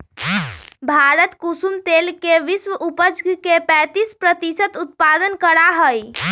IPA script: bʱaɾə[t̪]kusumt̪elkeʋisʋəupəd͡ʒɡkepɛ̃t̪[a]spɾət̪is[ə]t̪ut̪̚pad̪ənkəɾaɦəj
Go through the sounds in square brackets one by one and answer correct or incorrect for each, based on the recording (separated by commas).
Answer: correct, incorrect, correct